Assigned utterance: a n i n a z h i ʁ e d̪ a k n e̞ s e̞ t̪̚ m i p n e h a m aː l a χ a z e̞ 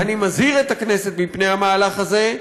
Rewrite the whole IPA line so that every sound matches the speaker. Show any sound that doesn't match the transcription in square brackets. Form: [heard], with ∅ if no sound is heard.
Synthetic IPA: a n i [m] a z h i ʁ e [t̪] a k n e̞ s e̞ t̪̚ m i p n e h a m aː l a χ a z e̞